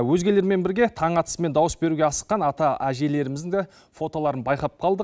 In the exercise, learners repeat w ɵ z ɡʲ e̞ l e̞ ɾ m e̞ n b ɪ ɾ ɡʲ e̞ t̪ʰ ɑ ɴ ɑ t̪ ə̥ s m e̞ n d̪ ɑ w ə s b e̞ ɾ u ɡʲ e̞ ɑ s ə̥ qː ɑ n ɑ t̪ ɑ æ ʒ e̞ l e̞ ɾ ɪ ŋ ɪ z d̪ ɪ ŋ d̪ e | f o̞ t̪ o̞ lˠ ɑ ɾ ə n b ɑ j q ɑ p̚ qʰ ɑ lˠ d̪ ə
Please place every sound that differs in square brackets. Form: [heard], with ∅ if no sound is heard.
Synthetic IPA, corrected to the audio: w ɵ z ɡʲ e̞ l e̞ ɾ m e̞ n b ɪ ɾ ɡʲ e̞ t̪ʰ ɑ ɴ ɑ t̪ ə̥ s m e̞ n d̪ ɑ w ə s b e̞ ɾ u ɡʲ e̞ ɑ s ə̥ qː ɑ n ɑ t̪ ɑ æ ʒ e̞ l e̞ ɾ ɪ [m] ɪ z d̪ ɪ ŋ d̪ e | f o̞ t̪ o̞ lˠ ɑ ɾ ə n b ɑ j q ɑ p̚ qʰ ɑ lˠ d̪ ə